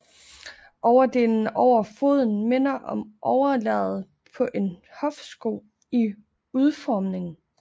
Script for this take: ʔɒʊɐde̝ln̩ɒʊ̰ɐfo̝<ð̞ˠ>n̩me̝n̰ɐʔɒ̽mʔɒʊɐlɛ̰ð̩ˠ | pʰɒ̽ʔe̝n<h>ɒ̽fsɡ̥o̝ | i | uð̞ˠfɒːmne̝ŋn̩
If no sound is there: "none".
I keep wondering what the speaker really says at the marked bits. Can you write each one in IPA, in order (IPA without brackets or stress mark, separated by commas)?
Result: ð̞ˠ, h